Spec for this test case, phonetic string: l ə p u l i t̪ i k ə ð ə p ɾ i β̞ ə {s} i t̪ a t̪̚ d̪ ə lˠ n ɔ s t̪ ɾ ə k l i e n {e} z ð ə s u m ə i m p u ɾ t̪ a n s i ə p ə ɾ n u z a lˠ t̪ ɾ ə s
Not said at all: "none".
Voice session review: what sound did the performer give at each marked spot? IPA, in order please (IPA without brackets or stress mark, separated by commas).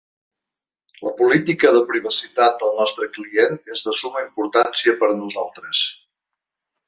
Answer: s, e